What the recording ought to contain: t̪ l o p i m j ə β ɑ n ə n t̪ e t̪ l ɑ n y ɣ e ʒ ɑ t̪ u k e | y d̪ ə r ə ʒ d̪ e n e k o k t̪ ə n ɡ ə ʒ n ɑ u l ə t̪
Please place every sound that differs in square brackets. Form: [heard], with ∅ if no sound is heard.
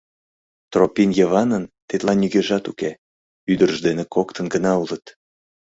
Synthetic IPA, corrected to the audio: t̪ [r] o p i [n] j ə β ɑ n ə n t̪ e t̪ l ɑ n y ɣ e ʒ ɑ t̪ u k e | y d̪ ə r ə ʒ d̪ e n e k o k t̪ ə n ɡ ə [∅] n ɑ u l ə t̪